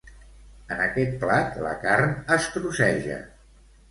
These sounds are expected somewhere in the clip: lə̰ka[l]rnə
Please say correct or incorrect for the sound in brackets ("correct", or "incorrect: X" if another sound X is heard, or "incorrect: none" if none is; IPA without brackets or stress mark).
incorrect: none